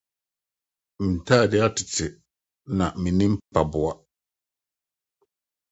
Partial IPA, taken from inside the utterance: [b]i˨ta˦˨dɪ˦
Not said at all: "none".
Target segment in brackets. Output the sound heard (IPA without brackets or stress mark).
m